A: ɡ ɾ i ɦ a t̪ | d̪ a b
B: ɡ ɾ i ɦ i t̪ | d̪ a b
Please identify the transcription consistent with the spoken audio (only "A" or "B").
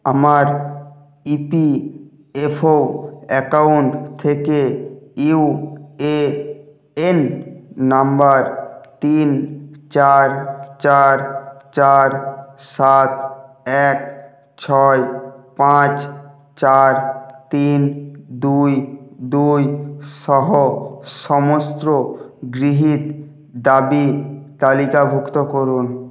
B